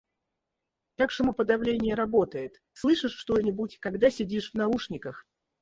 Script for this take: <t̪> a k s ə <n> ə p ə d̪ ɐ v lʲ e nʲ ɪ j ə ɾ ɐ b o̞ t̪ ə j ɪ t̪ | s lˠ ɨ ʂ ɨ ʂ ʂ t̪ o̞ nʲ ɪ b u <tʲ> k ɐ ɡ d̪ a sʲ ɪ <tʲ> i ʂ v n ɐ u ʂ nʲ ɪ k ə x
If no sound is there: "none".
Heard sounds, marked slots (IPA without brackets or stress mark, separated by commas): t̪, m, tʲ, dʲ